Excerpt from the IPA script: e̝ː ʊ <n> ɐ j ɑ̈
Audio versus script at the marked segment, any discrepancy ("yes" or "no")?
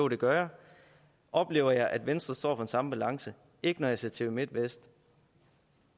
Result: yes